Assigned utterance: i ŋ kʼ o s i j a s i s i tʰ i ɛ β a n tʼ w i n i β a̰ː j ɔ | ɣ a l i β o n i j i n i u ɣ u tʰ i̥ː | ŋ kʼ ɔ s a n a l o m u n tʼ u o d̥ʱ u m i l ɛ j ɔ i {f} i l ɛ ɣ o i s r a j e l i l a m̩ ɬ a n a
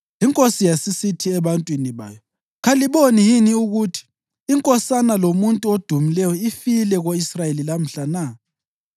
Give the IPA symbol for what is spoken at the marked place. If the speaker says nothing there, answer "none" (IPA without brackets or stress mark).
f